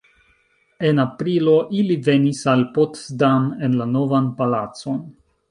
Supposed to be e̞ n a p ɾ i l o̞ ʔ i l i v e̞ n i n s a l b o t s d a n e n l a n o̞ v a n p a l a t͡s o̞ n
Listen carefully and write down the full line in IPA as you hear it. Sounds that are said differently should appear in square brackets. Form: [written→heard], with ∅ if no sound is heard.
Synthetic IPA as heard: e̞ n a p ɾ i l o̞ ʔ i l i v e̞ n i [n→∅] s a l [b→p] o t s d a [n→m] e n l a n o̞ v a n p a l a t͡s o̞ n